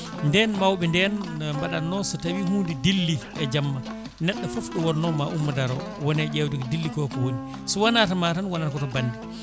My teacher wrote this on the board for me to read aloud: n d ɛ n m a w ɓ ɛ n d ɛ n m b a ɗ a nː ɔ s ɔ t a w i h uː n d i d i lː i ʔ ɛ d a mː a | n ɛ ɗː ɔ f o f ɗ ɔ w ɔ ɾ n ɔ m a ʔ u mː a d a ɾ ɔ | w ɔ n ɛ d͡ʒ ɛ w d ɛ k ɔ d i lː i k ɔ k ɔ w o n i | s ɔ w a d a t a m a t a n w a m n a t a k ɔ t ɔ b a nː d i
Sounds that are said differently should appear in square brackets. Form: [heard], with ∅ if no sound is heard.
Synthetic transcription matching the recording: n d ɛ n m a w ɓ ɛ n d ɛ n m b a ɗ a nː ɔ s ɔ t a w i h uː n d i d i lː i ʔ ɛ [d͡ʒ] a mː a | n ɛ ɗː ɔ f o f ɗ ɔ w ɔ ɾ n ɔ m a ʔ u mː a d a ɾ ɔ | w ɔ n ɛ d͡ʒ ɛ w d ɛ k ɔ d i lː i k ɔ k ɔ w o n i | s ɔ w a [n] a t a m a t a n w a [∅] n a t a k ɔ t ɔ b a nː d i